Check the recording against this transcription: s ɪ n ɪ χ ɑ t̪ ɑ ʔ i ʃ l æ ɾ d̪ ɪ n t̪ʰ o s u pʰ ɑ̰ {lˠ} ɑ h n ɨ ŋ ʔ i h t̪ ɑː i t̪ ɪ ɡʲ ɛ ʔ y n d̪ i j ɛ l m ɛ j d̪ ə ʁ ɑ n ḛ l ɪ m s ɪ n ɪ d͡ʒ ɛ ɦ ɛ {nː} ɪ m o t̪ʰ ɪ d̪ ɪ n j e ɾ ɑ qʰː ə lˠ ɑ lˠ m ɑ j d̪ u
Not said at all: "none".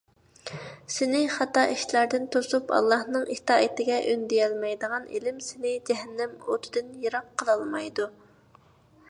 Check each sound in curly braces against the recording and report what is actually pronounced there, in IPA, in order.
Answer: lˠː, nː

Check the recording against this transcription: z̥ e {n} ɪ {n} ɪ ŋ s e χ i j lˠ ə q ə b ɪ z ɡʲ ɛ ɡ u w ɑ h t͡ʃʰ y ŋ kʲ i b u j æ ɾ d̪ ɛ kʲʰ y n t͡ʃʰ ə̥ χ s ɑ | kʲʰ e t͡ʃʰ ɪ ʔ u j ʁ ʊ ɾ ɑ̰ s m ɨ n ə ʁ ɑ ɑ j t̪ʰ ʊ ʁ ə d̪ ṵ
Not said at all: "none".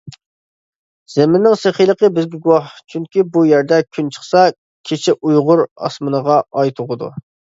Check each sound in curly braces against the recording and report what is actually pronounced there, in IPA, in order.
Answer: m, nː

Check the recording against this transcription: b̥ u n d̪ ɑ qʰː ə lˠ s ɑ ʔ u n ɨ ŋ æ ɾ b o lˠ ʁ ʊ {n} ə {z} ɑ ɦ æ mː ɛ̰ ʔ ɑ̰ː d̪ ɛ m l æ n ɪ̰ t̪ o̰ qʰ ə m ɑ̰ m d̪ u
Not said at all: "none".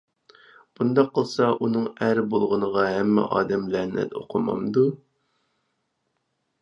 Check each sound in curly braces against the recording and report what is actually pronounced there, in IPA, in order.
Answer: n, ʁ

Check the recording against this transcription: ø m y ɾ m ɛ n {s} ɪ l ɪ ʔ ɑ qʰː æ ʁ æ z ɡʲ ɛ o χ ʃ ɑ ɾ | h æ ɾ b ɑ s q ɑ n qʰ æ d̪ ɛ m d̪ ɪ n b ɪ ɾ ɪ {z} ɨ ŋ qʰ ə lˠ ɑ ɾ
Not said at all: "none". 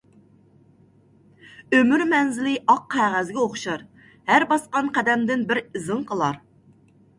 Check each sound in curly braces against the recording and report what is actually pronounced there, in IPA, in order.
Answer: z, z

